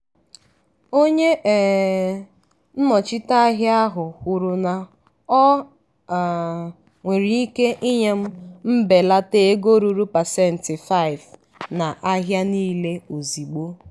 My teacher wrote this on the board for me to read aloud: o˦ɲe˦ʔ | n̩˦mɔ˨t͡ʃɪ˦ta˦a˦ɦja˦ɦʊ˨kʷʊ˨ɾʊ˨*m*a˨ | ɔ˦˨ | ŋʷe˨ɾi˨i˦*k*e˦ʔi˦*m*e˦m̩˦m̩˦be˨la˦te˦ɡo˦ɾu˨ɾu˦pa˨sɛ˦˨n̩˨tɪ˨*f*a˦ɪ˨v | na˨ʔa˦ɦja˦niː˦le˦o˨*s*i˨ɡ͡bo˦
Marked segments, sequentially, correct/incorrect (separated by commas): incorrect, correct, incorrect, correct, incorrect